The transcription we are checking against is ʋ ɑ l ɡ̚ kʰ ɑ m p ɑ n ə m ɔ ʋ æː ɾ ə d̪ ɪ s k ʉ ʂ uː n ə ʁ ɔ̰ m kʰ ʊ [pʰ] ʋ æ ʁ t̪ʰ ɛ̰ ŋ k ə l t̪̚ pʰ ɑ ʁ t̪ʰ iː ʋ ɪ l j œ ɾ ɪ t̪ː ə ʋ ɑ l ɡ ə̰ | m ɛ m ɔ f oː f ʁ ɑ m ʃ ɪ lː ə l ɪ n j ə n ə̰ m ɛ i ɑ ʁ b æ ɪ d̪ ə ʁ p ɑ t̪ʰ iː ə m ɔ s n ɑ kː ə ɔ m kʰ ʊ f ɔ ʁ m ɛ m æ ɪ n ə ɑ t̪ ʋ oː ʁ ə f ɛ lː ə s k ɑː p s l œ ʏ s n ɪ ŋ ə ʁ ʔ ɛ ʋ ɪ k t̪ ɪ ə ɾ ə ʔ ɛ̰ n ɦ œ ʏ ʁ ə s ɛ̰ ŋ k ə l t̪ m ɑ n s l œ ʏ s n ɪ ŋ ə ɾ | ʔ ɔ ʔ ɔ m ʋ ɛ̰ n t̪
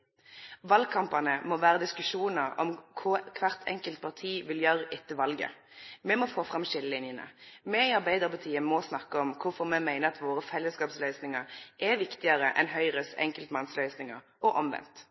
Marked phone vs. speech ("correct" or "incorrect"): incorrect